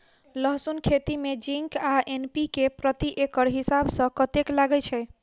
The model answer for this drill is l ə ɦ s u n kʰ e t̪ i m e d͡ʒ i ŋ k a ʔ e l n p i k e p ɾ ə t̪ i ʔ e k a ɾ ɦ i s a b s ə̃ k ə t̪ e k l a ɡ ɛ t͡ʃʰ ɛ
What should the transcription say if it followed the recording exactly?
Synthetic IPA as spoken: l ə ɦ s u n kʰ e t̪ i m e d͡ʒ i ŋ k a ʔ e n p i k e p ɾ ə t̪ i ʔ e k ə ɾ ɦ i s a b s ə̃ k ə t̪ e k l a ɡ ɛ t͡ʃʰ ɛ

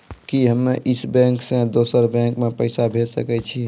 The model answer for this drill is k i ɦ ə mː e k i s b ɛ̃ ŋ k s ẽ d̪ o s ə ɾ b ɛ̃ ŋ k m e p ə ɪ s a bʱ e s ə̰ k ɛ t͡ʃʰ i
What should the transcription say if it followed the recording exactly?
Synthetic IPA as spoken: k i ɦ ə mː e ʔ i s b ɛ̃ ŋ k s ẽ d̪ o s ə ɾ b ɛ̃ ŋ k m e p ə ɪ s a bʱ e s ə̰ k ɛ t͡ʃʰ i

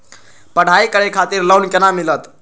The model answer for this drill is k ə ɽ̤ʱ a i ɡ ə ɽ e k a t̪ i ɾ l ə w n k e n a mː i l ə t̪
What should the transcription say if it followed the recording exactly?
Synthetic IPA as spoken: p ə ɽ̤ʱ a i k ə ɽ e kʰ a t̪ i ɾ l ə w n k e n a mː i l ə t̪

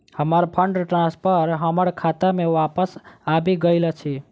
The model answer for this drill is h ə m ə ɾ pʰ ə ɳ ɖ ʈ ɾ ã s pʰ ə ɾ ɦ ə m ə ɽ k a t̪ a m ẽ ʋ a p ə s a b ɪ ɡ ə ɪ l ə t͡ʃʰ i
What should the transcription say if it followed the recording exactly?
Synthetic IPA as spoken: h ə m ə ɾ pʰ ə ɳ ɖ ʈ ɾ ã s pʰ ə ɾ ɦ ə m ə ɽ kʰ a t̪ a m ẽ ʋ a p ə s a b i ɡ ə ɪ l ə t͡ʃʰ i

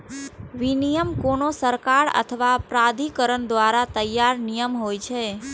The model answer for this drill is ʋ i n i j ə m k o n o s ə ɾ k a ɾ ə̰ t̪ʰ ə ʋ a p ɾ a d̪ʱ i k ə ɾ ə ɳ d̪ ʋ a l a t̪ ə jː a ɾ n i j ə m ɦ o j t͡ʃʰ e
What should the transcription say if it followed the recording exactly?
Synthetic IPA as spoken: ʋ i n i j ə m k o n o s ə ɾ k a ɾ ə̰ t̪ʰ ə ʋ a p ɾ a d̪ʱ i k ə ɾ ə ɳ d̪ ʋ a ɾ a t̪ ə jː a ɾ n i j ə m ɦ o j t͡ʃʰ e

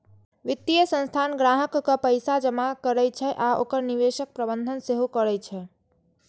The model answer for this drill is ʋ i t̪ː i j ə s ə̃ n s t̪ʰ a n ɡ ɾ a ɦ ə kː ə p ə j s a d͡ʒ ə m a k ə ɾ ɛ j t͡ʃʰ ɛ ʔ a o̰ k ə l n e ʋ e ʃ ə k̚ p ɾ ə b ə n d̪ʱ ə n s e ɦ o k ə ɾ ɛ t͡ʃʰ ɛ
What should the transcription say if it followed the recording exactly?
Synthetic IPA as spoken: ʋ i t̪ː i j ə s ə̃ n s t̪ʰ a n ɡ ɾ a ɦ ə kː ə p ə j s a d͡ʒ ə m a k ə ɾ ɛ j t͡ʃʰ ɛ ʔ a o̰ k ə ɾ n i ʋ e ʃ ə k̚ p ɾ ə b ə n d̪ʱ ə n s e ɦ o k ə ɾ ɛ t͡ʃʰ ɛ

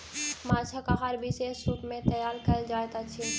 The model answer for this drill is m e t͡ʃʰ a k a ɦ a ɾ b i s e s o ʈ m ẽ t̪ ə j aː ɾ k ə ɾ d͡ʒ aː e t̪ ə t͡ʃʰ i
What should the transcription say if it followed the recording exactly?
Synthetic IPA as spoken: m a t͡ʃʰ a k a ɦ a ɾ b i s e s u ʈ m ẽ t̪ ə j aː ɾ k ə l d͡ʒ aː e t̪ a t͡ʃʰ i

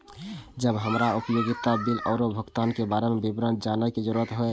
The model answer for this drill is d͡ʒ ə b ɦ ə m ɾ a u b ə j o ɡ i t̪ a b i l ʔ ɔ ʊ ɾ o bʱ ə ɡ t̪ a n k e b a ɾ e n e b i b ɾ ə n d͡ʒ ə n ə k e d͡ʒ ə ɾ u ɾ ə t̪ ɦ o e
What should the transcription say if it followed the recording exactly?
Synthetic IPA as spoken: d͡ʒ ə b ɦ ə m ɾ a u p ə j o ɡ i t̪ a b i l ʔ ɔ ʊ ɾ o bʱ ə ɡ t̪ a n k e b a ɾ e m e b i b ɾ ə n d͡ʒ a n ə k e d͡ʒ ə ɾ u ɾ ə t̪ ɦ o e

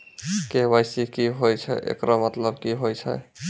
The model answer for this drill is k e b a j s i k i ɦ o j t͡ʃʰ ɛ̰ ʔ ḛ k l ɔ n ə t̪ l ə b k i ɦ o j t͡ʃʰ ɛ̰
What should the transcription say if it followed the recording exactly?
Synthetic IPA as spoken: k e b a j s i k i ɦ o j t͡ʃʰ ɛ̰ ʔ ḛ k ɾ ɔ m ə t̪ l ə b k i ɦ o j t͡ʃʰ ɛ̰

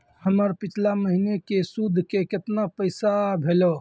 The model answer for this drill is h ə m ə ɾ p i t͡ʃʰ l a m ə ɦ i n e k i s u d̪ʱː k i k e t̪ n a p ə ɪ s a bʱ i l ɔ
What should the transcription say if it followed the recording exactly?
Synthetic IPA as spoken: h ə m ə ɾ p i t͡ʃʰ l a m ə ɦ i n e k e s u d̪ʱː k e k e t̪ n a p ə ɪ s a bʱ e l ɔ

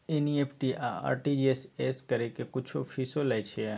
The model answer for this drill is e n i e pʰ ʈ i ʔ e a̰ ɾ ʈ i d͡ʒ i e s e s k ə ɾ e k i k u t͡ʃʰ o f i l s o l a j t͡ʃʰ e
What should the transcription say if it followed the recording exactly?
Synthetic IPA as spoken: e n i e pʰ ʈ i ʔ a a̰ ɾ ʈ i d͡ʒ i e s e s k ə ɾ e k e k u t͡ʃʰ o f i s o l a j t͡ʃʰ e

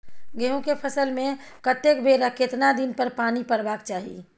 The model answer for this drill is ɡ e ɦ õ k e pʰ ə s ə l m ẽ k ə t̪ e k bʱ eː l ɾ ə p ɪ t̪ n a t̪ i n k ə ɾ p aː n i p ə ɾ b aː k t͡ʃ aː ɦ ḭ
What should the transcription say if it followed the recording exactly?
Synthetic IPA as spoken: ɡ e ɦ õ k e pʰ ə s ə l m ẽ k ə t̪ e k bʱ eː ɾ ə k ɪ t̪ n a d̪ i n p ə ɾ p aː n i p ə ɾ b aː k t͡ʃ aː ɦ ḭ

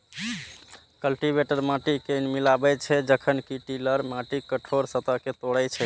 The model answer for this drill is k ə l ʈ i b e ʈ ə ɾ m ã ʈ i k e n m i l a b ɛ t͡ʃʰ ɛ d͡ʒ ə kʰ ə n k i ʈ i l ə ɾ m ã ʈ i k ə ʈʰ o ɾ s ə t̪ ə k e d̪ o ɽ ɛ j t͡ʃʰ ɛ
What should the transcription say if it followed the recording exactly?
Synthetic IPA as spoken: k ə l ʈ i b e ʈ ə ɾ m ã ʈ i k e n m i l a b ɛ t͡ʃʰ ɛ d͡ʒ ə kʰ ə n k i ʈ i l ə ɾ m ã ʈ i k ə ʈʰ o ɾ s ə t̪ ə k e t̪ o ɽ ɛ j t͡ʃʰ ɛ

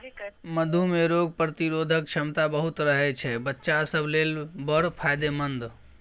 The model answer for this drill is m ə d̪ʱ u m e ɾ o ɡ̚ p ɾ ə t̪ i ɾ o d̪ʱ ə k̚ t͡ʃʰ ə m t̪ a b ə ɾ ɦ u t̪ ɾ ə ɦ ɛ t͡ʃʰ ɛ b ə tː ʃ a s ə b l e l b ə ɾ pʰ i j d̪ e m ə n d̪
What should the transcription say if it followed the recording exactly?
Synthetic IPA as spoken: m ə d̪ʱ u m e ɾ o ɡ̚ p ɾ ə t̪ i ɾ o d̪ʱ ə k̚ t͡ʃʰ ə m t̪ a b ə ɦ u t̪ ɾ ə ɦ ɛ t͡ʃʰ ɛ b ə tː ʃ a s ə b l e l b ə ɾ pʰ a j d̪ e m ə n d̪

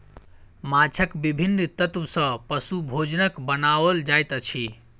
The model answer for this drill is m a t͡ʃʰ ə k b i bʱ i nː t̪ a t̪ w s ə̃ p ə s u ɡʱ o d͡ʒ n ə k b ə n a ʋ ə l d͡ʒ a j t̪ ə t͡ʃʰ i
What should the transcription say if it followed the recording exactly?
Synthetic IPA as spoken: m a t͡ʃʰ ə k b i bʱ i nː t̪ ə t̪ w s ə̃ p ə s u bʱ o d͡ʒ n ə k b ə n a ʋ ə l d͡ʒ a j t̪ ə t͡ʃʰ i

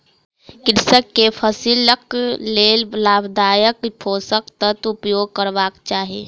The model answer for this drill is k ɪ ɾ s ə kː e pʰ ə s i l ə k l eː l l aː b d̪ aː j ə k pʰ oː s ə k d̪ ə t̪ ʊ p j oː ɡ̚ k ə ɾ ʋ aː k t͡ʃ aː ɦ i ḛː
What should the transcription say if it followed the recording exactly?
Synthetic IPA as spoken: k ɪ ɾ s ə kː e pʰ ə s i l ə k l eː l l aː b d̪ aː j ə k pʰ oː s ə k t̪ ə t̪ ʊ p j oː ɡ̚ k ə ɾ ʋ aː k t͡ʃ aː ɦ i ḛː

